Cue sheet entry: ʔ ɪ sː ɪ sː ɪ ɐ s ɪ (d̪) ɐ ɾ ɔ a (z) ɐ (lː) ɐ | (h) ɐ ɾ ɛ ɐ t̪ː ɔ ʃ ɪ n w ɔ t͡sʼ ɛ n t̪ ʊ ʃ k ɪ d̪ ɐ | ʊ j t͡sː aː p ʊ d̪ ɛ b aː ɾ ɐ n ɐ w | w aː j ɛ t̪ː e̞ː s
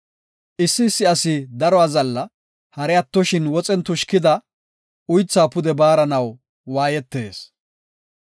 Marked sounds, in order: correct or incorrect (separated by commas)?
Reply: correct, correct, correct, correct